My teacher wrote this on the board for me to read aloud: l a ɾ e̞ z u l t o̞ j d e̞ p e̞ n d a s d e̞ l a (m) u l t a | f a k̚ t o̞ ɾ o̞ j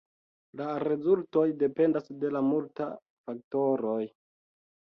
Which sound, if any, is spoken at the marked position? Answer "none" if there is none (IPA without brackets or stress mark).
m